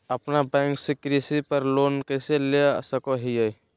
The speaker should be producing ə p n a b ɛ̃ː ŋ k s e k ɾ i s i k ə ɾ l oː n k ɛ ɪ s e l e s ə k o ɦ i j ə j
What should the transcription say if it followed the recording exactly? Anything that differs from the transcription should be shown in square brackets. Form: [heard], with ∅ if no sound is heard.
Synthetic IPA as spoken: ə p n a b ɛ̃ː ŋ k s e k ɾ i s i [p] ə ɾ l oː n k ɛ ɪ s e l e s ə k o ɦ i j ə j